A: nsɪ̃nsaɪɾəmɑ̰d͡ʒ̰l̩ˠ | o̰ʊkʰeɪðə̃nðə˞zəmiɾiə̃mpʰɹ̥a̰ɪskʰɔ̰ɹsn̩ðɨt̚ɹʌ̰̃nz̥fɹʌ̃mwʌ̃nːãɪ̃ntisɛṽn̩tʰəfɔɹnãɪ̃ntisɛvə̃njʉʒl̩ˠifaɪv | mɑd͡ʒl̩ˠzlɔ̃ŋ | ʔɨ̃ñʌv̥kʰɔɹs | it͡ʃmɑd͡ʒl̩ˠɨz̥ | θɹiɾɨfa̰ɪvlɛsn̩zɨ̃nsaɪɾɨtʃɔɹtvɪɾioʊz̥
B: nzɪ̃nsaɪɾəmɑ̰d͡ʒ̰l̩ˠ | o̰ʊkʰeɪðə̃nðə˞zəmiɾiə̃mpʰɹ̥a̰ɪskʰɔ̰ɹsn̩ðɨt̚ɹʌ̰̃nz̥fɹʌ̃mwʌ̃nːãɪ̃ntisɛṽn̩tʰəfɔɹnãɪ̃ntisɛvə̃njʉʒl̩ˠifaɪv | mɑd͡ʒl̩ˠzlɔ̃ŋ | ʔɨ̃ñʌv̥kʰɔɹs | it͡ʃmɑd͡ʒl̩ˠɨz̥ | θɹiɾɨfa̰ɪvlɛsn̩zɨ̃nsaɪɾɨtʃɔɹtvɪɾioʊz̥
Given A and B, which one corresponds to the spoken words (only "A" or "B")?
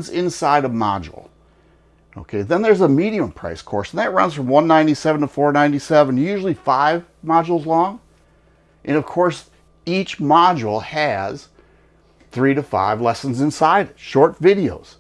B